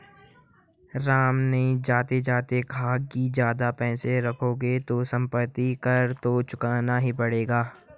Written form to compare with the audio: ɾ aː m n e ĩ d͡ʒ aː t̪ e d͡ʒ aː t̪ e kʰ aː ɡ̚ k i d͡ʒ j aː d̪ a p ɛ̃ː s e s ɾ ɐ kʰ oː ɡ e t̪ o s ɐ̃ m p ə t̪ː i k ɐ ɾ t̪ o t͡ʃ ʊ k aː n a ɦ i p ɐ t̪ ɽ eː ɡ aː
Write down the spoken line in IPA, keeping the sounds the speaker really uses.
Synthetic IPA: ɾ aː m n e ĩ d͡ʒ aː t̪ e d͡ʒ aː t̪ e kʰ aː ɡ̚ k i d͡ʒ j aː d̪ a p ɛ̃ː s e ɾ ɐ kʰ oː ɡ e t̪ o s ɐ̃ m p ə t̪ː i k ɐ ɾ t̪ o t͡ʃ ʊ k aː n a ɦ i p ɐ ɽ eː ɡ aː